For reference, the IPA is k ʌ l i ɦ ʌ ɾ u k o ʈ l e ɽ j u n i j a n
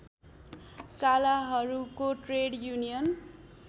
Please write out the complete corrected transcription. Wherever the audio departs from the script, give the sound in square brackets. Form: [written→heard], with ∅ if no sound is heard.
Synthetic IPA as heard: k [ʌ→a] l [i→a] ɦ ʌ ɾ u k o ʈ [l→r] e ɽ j u n i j [a→ʌ] n